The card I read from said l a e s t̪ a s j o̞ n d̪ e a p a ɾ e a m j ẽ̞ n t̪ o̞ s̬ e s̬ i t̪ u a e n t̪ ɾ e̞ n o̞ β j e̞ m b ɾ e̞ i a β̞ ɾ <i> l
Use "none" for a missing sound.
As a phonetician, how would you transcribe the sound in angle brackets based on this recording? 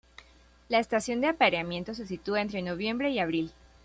i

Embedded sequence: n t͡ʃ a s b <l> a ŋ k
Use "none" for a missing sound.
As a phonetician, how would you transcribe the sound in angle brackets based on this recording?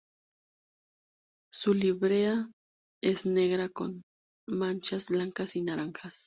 l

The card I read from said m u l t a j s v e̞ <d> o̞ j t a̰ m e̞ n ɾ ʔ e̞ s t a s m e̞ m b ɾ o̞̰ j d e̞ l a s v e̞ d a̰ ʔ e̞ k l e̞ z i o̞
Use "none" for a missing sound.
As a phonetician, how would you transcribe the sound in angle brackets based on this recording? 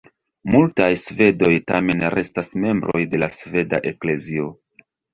d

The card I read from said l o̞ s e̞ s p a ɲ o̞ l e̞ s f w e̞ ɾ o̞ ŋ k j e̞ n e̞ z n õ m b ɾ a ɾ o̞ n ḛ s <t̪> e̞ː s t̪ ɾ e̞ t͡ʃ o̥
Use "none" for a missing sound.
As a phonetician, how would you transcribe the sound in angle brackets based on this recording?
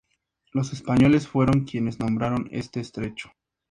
t̪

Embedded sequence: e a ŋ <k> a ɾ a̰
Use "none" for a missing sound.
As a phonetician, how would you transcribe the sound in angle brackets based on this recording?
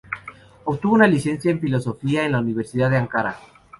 k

